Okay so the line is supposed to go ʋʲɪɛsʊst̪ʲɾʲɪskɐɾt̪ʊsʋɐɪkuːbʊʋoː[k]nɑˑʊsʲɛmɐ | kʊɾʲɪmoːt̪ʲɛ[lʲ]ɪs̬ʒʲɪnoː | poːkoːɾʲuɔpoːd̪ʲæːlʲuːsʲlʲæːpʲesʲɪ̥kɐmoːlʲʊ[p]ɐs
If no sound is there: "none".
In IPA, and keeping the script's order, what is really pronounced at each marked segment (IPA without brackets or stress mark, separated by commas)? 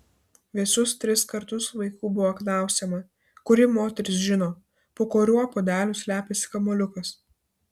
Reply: k, ɾʲ, k